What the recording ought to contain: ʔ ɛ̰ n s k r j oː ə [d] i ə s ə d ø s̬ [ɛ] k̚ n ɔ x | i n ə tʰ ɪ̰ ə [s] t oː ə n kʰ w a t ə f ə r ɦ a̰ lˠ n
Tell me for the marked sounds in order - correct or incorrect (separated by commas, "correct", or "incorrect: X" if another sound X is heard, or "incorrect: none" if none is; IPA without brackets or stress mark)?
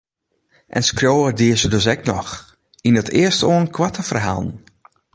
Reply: correct, correct, correct